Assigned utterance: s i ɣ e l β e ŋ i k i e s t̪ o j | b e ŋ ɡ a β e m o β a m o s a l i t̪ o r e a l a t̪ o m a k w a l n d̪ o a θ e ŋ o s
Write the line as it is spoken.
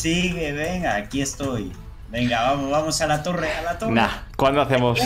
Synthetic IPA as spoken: s i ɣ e β e ŋ a k i e s t̪ o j | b e ŋ ɡ a β a m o β a m o s a l a t̪ o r e a l a t̪ o n a k w a n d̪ o a θ e m o s